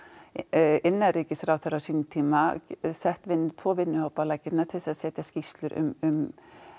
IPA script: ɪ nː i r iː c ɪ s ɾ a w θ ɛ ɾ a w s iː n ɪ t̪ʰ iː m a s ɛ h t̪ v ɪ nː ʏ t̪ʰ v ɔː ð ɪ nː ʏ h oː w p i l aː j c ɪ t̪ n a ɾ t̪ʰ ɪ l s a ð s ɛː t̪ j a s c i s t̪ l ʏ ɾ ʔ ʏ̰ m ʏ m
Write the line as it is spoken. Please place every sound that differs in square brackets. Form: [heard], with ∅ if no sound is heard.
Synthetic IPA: ɪ nː [a] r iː c ɪ s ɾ a w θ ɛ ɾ a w s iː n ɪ t̪ʰ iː m a s ɛ h t̪ v ɪ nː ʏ t̪ʰ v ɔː [v] ɪ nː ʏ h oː w p [a] l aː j c ɪ t̪ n a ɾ t̪ʰ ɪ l s a ð s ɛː t̪ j a s c i s t̪ l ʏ ɾ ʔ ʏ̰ m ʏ m

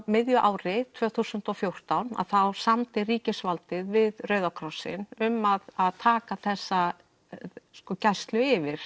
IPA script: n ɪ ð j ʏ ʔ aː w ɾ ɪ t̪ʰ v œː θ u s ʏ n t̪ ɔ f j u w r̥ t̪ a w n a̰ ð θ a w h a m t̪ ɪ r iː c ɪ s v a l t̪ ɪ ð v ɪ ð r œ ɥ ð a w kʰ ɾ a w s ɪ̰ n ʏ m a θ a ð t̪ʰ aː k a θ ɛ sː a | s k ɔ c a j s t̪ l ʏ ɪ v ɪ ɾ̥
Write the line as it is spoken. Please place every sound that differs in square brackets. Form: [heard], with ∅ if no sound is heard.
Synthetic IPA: [m] ɪ ð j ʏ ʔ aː w ɾ ɪ t̪ʰ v œː θ u s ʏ n t̪ ɔ f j [o] w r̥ t̪ a w n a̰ ð θ a w [s] a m t̪ ɪ r iː c ɪ s v a l t̪ ɪ ð v ɪ ð r œ ɥ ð a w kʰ ɾ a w s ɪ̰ n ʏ m a [ð] a ð t̪ʰ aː k a θ ɛ sː a | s k ɔ c a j s t̪ l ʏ ɪ v ɪ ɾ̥

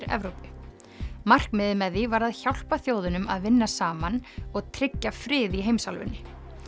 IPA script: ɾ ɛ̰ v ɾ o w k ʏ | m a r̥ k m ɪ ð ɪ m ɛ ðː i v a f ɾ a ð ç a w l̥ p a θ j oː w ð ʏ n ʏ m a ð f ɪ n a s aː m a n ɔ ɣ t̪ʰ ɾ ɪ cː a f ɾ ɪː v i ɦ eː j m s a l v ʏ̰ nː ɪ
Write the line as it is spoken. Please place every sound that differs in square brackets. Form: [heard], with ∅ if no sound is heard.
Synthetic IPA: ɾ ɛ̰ v ɾ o w [p] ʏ | m a r̥ k m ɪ ð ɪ m ɛ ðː i v a [∅] ɾ a ð ç a w l̥ p a θ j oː w ð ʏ n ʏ m a ð [v] ɪ [nː] a s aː m a n ɔ ɣ t̪ʰ ɾ ɪ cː a f ɾ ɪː [ð] i ɦ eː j m s a l v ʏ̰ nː ɪ

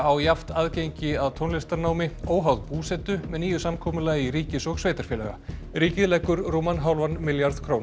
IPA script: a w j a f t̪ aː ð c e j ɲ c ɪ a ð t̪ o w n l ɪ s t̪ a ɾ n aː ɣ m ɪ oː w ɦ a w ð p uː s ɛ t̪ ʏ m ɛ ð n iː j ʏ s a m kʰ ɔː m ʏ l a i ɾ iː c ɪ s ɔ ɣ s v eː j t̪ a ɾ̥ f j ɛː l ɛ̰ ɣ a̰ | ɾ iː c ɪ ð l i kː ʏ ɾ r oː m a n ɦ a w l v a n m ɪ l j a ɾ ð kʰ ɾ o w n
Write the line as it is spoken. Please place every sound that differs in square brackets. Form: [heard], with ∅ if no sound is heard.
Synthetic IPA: a w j a f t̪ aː ð c e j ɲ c ɪ a ð [t̪ʰ] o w n l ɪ s t̪ a ɾ n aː [w] m ɪ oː w ɦ a w ð p uː s ɛ t̪ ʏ m ɛ ð n iː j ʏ s a m kʰ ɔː m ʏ l a i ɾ iː c ɪ s ɔ ɣ s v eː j t̪ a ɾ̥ f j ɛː l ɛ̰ ɣ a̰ | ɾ iː c ɪ ð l [ɛ] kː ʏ ɾ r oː m a n ɦ a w l v a n m ɪ l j a ɾ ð kʰ ɾ o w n

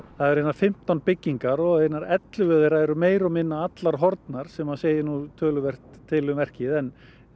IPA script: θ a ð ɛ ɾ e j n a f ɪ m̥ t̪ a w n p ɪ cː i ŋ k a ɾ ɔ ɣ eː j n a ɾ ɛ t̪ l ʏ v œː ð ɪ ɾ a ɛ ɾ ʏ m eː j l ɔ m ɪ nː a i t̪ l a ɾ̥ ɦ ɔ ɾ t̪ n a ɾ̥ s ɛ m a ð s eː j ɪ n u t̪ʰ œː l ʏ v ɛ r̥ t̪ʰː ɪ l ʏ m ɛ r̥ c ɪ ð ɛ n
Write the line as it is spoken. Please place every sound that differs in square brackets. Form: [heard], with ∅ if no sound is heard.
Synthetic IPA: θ a ð ɛ ɾ e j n a f ɪ m̥ t̪ a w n p ɪ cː i ŋ k a ɾ ɔ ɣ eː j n a ɾ ɛ t̪ l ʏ v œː ð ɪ ɾ a ɛ ɾ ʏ m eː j [ɾ] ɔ m ɪ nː a [a] t̪ l a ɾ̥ ɦ ɔ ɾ t̪ n a ɾ̥ s ɛ m a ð s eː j ɪ n u t̪ʰ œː l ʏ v ɛ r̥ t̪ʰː ɪ l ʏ m ɛ r̥ c ɪ ð ɛ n

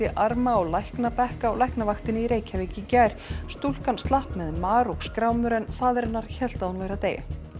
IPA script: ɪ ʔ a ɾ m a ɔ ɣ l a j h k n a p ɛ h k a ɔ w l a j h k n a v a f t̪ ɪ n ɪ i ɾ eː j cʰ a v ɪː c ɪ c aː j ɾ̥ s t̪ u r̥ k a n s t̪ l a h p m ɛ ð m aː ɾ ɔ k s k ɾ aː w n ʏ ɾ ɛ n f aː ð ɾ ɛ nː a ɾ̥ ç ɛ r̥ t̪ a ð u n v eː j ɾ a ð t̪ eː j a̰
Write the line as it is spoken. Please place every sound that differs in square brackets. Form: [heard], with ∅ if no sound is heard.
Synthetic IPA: ɪ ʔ a ɾ m a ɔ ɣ l a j h k n a p ɛ h k a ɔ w l a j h k n a v a [x] t̪ ɪ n ɪ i ɾ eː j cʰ a v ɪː c ɪ c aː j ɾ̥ s t̪ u [l̥] k a n s t̪ l a h p m ɛ ð m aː ɾ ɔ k s k ɾ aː w [m] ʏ ɾ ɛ n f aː ð ɾ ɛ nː a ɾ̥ ç ɛ [l̥] t̪ a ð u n v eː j ɾ a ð t̪ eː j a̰

